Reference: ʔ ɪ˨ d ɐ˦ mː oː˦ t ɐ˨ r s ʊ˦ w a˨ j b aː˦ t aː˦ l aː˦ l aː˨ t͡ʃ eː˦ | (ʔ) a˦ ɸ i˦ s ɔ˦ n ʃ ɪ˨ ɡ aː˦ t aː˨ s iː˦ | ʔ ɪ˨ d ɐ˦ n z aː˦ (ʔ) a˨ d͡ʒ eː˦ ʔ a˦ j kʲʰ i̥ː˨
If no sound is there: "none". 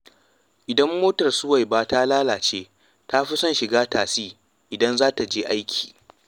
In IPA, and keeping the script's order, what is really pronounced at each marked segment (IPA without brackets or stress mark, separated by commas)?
t, t